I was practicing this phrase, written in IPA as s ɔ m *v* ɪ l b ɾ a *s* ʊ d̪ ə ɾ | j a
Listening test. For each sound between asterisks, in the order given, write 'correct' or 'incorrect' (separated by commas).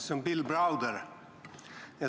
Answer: incorrect, incorrect